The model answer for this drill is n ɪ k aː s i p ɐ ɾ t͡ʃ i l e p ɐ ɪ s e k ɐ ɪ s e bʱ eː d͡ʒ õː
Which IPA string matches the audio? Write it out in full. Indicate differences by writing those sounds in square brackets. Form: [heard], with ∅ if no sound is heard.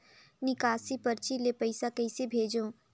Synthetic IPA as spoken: n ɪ k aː s i p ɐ ɾ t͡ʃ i l e p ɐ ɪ s [a] k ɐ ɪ s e bʱ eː d͡ʒ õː